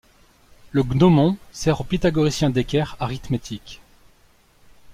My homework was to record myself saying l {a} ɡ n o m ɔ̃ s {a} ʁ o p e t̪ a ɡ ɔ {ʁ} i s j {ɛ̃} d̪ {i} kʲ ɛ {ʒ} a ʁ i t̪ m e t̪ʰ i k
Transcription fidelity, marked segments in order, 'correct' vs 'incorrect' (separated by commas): incorrect, incorrect, correct, correct, incorrect, incorrect